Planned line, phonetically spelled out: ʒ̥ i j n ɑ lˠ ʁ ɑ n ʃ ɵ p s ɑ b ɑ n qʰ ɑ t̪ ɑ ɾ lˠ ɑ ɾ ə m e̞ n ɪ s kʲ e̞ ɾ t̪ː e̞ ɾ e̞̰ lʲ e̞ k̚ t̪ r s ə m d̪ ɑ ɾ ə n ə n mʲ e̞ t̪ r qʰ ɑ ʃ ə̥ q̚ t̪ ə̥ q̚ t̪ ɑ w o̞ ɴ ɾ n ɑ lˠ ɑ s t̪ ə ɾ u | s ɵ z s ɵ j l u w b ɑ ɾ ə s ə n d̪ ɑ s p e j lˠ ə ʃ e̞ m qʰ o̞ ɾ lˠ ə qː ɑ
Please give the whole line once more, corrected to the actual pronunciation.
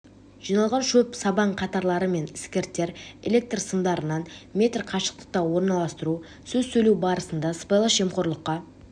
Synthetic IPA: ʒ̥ i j n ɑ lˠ ʁ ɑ n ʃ ɵ p s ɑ b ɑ ɴ qʰ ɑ t̪ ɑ ɾ lˠ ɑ ɾ ə m e̞ n ɪ s kʲ e̞ ɾ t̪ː e̞ ɾ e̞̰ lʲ e̞ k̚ t̪ r s ə m d̪ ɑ ɾ ə n ɑ n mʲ e̞ t̪ r qʰ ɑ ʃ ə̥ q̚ t̪ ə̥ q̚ t̪ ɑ w o̞ ɾ n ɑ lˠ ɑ s t̪ ə ɾ u | s ɵ z s ɵ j l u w b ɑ ɾ ə s ə n d̪ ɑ s p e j lˠ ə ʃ e̞ m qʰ o̞ ɾ lˠ ə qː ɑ